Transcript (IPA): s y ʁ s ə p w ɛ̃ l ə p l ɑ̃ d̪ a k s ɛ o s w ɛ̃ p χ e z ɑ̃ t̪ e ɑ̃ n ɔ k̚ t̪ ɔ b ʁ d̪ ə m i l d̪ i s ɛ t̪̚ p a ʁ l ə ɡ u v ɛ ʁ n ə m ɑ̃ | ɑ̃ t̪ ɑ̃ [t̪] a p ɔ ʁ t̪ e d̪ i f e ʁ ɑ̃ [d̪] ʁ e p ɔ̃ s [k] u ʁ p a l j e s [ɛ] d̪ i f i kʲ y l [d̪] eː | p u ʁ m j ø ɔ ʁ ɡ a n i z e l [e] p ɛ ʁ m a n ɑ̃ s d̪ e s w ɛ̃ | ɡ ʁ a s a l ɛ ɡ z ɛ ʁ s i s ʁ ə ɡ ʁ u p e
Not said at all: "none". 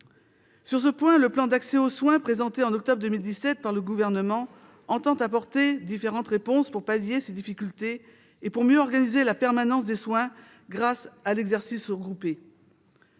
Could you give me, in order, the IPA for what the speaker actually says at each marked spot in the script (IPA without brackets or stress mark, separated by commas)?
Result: t̪, t̪, p, e, t̪, a